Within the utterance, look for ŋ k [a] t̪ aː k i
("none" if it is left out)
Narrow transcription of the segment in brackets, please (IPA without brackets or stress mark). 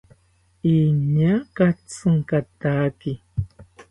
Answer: a